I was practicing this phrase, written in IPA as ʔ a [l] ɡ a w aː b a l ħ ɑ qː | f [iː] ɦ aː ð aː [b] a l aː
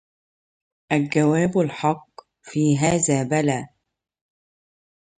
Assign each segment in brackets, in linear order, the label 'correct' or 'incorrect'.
correct, correct, correct

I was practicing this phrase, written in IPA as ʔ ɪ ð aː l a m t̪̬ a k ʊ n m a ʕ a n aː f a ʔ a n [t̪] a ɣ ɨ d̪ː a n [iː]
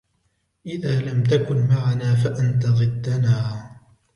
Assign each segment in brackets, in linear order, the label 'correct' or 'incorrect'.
correct, incorrect

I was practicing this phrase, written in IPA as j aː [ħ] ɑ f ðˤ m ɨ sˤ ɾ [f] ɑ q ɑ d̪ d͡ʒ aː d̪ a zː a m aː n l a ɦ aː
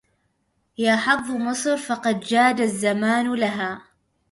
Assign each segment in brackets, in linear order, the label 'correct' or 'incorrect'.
correct, correct

